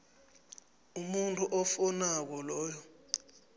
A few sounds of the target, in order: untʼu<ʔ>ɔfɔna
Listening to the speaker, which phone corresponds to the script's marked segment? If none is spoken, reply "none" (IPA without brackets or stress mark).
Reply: ʔ